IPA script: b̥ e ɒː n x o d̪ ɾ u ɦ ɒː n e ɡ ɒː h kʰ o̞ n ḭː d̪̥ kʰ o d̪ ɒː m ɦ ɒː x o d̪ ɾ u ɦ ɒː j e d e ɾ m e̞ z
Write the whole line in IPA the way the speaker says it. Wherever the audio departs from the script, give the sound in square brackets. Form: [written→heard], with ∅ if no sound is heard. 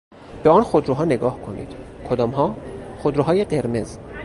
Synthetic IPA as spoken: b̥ e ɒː n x o d̪ ɾ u ɦ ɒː n e ɡ ɒː h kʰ o̞ n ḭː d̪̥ kʰ o d̪ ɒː m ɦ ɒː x o d̪ ɾ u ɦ ɒː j e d e ɾ m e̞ z